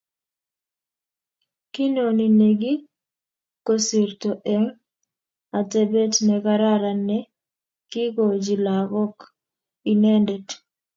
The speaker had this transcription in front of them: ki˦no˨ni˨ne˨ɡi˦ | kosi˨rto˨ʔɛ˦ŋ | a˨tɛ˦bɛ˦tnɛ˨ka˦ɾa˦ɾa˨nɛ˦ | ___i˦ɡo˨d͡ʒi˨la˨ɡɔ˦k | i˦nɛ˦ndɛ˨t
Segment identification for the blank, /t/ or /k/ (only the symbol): k